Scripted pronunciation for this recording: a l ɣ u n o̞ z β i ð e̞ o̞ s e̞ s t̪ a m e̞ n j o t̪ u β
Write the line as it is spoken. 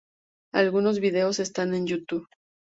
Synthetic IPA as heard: a l ɣ u n o̞ z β i ð e̞ o̞ s e̞ s t̪ a n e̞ n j u t̪ u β